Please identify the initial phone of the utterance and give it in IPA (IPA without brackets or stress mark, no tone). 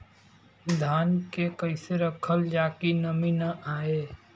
d̪ʱ